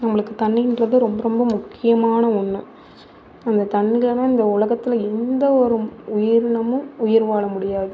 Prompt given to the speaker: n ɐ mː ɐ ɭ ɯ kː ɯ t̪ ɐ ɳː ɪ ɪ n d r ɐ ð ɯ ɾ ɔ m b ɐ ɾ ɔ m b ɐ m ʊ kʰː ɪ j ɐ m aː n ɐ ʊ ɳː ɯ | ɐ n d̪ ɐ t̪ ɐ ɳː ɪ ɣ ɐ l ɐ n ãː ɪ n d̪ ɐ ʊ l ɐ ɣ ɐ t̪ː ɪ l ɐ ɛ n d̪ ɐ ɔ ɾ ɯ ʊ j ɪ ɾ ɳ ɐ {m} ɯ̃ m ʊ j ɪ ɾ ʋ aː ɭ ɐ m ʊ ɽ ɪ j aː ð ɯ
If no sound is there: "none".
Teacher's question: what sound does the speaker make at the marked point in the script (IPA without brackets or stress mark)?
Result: m